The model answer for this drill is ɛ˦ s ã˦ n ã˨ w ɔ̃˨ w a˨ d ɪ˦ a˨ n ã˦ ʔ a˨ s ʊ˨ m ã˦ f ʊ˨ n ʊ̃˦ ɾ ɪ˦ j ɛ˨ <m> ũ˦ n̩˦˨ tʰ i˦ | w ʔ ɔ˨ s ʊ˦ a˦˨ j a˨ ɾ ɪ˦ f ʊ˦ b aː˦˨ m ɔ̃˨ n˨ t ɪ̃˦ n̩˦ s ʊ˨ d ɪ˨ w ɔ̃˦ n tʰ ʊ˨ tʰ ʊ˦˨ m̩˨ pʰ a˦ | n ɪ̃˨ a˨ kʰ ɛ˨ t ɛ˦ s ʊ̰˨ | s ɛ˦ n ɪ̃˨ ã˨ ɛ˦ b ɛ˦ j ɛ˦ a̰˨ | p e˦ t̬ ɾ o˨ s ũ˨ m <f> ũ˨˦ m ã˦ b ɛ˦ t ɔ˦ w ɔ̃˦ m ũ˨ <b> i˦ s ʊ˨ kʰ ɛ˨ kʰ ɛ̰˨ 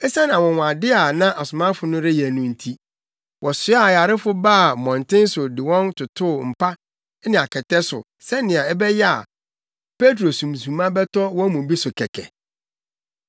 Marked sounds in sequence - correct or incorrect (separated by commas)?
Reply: incorrect, incorrect, correct